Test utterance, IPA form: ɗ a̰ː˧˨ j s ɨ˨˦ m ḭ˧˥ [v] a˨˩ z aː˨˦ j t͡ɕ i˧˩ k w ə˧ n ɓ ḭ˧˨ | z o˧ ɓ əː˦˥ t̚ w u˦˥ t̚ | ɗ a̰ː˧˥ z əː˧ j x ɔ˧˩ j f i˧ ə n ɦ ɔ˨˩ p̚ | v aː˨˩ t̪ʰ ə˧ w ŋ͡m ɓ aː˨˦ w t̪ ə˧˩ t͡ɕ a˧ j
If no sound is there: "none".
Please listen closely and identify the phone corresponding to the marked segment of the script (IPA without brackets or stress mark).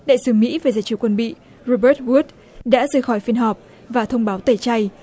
v